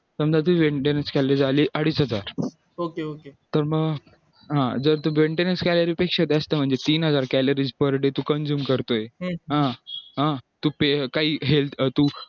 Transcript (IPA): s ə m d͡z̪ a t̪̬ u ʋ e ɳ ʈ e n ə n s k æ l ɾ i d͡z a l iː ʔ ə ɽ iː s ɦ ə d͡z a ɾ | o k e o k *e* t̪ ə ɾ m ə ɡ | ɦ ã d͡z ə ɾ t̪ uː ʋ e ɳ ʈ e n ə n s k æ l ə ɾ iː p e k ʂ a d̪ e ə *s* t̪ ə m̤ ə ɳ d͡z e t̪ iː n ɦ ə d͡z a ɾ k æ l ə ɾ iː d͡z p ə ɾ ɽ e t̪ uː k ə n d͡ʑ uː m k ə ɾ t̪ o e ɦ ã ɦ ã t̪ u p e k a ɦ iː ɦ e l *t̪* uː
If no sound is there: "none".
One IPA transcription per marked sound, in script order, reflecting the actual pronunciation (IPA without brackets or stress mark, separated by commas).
e, s, t̪